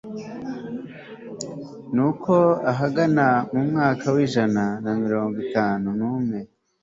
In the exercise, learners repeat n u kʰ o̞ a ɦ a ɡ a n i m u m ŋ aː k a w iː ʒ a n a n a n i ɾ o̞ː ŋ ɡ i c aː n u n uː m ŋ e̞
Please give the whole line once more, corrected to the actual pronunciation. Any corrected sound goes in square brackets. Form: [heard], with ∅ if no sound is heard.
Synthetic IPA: n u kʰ o̞ a ɦ a ɡ a n [a] m u m ŋ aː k a w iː ʒ a n a n a [m] i ɾ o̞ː ŋ ɡ i [t] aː n u n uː m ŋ e̞